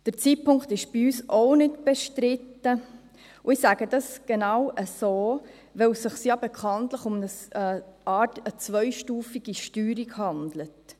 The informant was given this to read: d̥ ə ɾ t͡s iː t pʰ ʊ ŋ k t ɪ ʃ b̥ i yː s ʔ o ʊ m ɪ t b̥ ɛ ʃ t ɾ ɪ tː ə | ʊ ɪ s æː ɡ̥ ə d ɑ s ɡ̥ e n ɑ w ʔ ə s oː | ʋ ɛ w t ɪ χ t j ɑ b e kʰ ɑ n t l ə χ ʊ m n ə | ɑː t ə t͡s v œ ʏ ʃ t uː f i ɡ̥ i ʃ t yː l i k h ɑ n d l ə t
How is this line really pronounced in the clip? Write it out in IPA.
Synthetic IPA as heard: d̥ ə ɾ t͡s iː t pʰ ʊ ŋ k t ɪ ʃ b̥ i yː s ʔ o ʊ n ɪ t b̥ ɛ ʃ t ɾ ɪ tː ə | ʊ ɪ s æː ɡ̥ ə d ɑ s ɡ̥ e n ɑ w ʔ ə s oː | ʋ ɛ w s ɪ χ s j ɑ b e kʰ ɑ n t l ə χ ʊ m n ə | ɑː t ə t͡s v œ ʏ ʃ t uː f i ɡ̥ i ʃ t yː ɾ i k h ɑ n d l ə t